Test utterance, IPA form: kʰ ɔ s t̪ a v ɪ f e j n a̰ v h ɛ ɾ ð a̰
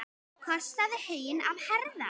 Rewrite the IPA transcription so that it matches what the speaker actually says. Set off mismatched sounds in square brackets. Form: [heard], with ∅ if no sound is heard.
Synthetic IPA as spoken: kʰ ɔ s t̪ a [ð] ɪ [h] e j n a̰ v h ɛ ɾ ð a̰

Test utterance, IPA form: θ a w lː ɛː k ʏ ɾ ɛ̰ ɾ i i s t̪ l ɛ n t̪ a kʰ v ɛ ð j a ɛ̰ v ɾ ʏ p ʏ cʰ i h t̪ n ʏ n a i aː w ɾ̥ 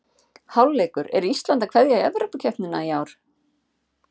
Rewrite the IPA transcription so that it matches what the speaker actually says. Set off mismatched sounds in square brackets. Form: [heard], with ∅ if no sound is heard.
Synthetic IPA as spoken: [h] a w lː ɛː k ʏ ɾ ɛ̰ ɾ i i s t̪ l [a] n t̪ a kʰ v ɛ ð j a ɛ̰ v ɾ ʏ p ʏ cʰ [ɛ] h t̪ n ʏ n a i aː w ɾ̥

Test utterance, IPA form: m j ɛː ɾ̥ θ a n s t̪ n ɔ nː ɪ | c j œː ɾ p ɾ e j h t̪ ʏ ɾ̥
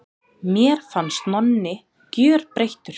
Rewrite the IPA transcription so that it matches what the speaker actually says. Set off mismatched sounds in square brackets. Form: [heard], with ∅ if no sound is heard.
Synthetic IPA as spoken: m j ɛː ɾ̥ [f] a n s t̪ n ɔ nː ɪ | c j œː ɾ p ɾ e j h t̪ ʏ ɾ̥

